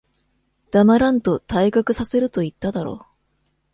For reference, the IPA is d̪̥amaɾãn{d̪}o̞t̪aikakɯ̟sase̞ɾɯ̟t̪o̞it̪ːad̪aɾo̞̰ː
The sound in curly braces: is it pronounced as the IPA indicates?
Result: no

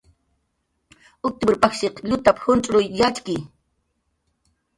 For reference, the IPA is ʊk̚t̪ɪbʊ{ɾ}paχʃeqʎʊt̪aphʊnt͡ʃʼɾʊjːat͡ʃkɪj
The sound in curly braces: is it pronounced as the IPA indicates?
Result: yes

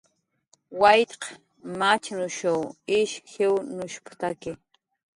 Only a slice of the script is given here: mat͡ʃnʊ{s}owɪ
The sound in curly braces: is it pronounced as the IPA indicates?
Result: no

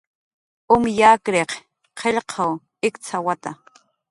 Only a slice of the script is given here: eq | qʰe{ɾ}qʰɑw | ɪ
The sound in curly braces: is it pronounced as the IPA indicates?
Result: no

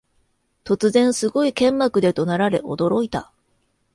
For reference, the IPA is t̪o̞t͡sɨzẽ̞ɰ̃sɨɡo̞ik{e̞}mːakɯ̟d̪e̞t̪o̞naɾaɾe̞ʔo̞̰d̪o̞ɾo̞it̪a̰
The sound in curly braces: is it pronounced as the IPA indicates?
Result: no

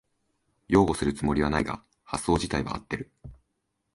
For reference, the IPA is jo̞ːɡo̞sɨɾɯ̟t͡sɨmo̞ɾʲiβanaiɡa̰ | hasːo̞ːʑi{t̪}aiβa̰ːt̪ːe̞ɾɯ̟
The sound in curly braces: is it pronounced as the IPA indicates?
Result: yes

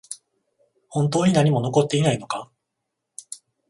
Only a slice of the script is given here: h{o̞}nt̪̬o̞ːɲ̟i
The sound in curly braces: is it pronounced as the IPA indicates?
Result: no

